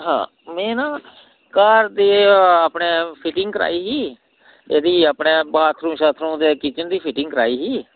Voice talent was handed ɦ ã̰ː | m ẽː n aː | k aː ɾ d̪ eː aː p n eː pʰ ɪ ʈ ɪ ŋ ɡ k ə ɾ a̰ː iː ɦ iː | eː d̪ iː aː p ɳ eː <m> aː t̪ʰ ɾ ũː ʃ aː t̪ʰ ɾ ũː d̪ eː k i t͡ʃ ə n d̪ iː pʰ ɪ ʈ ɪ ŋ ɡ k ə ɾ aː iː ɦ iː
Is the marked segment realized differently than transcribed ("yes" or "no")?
yes